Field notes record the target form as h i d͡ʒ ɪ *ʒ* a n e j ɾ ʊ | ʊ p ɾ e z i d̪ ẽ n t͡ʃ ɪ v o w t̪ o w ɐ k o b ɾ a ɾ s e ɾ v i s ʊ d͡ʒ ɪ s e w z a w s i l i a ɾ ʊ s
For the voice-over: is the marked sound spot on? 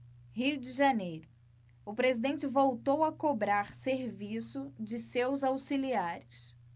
yes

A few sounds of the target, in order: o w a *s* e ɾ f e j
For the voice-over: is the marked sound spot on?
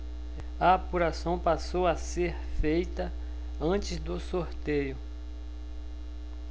yes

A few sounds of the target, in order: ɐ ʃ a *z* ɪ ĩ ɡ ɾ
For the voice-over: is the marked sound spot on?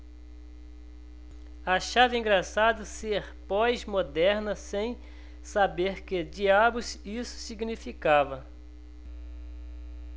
no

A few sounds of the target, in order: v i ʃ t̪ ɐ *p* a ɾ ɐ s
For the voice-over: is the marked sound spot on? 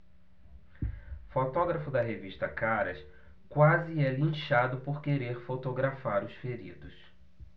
no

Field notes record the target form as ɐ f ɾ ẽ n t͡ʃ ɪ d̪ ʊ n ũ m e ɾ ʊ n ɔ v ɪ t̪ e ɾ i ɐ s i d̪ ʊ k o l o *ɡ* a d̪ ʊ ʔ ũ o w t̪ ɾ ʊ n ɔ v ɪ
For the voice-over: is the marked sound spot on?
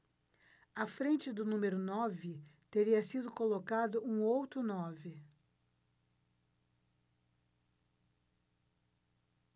no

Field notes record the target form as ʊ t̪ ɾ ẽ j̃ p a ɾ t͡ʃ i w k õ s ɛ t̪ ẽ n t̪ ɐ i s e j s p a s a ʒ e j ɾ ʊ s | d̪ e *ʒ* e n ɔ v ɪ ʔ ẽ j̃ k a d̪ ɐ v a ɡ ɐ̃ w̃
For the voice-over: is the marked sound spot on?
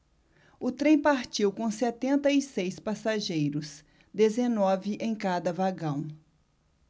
no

